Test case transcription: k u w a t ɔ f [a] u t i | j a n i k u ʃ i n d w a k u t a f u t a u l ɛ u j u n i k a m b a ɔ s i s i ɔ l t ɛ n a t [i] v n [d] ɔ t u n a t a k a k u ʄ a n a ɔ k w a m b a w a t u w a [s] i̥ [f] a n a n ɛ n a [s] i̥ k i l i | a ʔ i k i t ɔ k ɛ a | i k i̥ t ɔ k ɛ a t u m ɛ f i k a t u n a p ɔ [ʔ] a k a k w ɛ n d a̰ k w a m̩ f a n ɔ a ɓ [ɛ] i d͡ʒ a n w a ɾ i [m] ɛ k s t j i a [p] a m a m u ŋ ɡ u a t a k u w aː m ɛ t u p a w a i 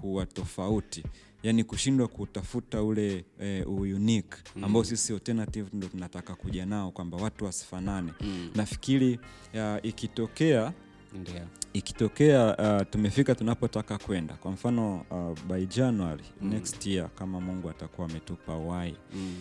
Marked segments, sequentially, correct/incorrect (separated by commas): correct, correct, correct, correct, correct, incorrect, incorrect, incorrect, incorrect, incorrect